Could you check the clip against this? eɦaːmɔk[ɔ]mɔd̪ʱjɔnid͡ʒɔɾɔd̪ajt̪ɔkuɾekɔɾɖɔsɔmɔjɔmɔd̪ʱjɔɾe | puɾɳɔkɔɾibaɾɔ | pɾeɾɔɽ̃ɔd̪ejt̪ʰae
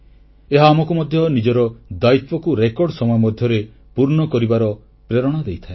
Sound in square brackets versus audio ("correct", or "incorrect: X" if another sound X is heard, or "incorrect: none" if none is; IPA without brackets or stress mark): incorrect: u